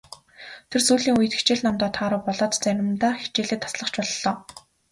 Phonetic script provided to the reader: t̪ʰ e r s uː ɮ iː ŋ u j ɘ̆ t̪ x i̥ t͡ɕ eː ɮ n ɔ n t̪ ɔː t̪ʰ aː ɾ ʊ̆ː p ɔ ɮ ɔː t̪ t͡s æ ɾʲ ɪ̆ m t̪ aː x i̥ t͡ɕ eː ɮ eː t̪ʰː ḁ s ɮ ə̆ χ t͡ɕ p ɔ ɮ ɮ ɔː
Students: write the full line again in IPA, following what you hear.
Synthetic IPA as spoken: t̪ʰ e r s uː ɮ iː ŋ u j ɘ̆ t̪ x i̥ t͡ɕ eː ɮ n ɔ m t̪ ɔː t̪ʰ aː ɾ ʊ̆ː p ɔ ɮ ɔː t̪ t͡s æ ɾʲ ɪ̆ m t̪ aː x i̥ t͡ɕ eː ɮ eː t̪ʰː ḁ s ɮ ə̆ χ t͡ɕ p ɔ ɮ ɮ ɔː